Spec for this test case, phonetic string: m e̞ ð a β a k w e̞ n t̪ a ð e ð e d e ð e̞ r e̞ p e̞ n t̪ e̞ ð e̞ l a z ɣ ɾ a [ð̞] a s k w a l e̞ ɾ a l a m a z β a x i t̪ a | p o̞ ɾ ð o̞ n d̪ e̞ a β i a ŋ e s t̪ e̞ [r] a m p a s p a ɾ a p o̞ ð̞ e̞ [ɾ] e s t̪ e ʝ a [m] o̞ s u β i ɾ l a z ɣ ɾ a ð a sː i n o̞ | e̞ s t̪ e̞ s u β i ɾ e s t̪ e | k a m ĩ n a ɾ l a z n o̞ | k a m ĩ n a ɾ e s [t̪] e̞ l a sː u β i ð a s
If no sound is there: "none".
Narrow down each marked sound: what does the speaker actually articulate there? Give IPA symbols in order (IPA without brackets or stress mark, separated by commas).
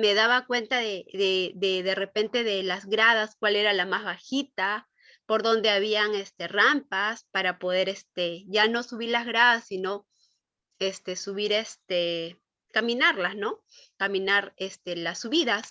ð̞, r, ɾ, n, t̪